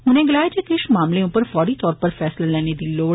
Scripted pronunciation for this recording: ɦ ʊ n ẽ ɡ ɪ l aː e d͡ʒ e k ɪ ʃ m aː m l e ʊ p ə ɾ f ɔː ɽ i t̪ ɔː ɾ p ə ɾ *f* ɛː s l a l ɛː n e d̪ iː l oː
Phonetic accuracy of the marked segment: correct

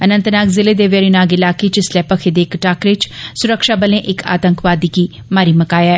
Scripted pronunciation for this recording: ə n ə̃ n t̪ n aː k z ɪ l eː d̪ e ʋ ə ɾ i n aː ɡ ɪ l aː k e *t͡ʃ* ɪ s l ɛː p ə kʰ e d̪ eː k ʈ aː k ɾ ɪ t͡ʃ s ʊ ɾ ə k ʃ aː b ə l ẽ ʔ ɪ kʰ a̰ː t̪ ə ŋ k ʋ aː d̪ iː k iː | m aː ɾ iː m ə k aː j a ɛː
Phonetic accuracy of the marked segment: correct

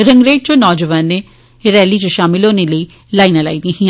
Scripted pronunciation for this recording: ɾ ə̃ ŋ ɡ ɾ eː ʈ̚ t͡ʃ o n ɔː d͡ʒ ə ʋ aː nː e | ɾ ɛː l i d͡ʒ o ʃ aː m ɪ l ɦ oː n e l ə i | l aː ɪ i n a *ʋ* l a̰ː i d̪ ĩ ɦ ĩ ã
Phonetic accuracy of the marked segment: incorrect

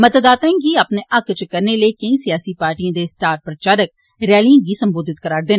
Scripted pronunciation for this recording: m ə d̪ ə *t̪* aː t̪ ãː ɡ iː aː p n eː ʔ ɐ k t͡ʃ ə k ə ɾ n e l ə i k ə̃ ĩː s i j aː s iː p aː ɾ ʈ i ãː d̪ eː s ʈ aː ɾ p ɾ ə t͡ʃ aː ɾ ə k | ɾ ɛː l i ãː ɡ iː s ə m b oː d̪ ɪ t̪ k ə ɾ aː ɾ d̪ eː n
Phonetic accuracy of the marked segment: incorrect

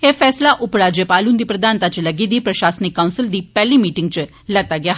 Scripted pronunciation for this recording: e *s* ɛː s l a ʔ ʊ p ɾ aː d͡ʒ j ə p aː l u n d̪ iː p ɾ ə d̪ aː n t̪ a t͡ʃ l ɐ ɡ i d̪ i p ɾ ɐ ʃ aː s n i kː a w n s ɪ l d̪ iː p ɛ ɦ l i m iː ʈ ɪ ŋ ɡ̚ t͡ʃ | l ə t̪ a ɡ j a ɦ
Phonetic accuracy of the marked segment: incorrect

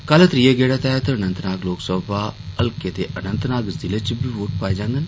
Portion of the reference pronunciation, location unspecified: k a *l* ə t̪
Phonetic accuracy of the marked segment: correct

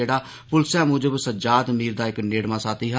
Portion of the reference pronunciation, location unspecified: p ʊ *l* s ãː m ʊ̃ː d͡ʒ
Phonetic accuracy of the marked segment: correct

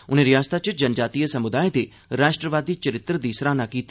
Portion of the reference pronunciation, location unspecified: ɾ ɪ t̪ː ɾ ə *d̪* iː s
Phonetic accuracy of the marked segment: correct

